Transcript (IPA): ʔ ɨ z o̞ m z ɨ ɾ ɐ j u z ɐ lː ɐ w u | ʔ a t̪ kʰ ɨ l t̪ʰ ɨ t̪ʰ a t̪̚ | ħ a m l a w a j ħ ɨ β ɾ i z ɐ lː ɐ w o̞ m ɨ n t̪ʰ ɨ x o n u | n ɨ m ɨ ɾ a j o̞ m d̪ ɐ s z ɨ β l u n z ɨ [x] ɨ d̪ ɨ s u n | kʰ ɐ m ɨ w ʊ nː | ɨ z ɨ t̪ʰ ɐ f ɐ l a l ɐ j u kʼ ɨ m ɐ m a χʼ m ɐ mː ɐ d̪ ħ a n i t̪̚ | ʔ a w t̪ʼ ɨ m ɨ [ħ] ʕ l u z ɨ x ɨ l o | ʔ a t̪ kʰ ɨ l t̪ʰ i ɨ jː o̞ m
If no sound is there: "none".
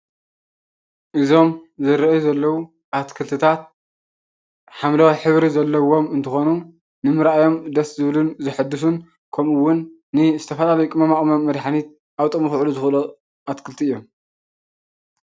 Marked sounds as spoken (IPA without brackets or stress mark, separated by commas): ħ, x